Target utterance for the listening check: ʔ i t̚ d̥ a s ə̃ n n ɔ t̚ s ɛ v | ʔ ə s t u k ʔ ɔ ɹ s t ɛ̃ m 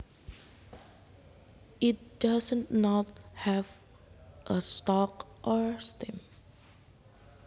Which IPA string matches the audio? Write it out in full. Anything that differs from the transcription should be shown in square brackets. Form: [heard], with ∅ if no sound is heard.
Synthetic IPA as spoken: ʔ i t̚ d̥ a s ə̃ n n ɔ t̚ [h] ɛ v | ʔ ə s t [ɔ] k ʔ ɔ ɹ s t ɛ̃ m